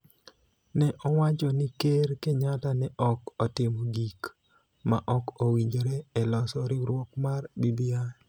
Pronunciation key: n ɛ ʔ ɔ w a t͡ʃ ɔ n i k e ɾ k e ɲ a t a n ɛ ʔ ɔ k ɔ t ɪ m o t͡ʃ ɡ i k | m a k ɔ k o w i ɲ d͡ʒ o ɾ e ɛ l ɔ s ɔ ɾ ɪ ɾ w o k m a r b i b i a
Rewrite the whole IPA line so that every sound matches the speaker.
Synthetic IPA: n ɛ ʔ ɔ w a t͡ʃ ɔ n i k e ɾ k e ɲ a t a n ɛ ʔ ɔ k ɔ t ɪ m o ɡ i k | m a ʔ ɔ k o w i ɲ d͡ʒ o ɾ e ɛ l ɔ s ɔ ɾ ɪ ɾ w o k m a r b i b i a